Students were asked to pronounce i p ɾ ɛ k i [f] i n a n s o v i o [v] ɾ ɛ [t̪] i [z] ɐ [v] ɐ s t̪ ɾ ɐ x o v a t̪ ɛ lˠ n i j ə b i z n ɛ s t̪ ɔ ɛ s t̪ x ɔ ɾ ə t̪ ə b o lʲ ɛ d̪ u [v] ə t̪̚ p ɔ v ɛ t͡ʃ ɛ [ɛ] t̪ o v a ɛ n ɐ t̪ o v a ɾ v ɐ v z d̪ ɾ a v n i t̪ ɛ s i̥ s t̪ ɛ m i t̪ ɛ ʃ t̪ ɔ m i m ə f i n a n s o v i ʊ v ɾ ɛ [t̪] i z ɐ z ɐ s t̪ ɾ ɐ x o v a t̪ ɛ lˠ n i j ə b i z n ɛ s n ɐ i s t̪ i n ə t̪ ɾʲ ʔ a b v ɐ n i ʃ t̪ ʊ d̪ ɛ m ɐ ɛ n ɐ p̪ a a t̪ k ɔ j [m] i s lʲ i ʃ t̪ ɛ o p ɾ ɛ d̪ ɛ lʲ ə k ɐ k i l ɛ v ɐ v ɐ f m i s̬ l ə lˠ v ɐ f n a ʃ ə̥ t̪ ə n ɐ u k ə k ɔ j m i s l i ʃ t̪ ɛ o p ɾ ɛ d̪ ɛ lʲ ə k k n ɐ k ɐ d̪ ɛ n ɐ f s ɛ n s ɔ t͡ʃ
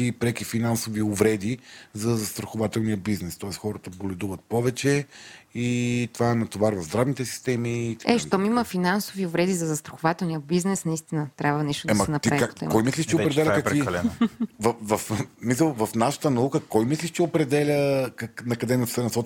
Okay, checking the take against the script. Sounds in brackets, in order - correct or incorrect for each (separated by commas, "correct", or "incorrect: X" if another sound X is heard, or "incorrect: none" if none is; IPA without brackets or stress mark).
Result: correct, correct, incorrect: d̪, correct, incorrect: z, correct, incorrect: i, incorrect: d̪, correct